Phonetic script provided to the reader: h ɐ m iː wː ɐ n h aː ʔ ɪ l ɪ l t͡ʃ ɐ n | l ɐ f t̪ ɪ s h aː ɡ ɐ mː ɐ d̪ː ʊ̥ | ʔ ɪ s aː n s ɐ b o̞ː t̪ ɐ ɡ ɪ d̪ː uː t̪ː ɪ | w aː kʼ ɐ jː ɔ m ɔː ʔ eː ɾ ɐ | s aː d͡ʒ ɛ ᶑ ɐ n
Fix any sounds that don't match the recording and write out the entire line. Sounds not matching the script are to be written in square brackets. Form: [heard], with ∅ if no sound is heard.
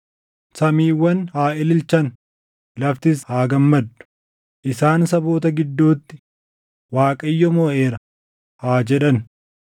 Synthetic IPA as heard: [s] ɐ m iː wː ɐ n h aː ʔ ɪ l ɪ l t͡ʃ ɐ n | l ɐ f t̪ ɪ s h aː ɡ ɐ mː ɐ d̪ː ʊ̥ | ʔ ɪ s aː n s ɐ b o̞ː t̪ ɐ ɡ ɪ d̪ː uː t̪ː ɪ | w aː kʼ ɐ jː ɔ m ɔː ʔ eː ɾ ɐ | [h] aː d͡ʒ ɛ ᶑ ɐ n